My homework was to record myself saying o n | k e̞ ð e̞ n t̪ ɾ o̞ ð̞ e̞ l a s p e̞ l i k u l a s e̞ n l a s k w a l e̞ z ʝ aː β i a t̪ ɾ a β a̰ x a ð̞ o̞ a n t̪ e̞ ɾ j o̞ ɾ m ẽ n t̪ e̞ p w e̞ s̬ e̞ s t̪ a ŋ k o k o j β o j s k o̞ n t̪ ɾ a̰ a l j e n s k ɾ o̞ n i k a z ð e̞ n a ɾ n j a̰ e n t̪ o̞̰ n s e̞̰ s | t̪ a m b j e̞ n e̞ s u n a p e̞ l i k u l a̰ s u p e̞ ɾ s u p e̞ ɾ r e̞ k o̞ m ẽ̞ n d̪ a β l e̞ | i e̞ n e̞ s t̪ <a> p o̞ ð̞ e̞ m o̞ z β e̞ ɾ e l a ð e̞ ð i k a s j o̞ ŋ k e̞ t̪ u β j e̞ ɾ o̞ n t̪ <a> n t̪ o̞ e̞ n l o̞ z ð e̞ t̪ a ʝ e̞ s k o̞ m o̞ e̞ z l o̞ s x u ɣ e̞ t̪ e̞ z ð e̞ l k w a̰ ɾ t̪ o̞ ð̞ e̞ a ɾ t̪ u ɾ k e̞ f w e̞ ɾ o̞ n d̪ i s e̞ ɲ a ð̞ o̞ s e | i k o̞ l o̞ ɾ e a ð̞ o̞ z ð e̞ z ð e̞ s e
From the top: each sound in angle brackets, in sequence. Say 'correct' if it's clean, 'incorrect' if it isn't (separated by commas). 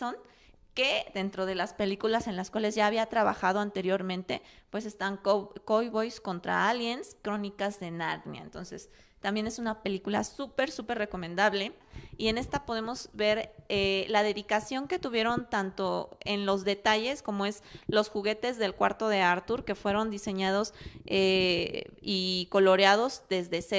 correct, correct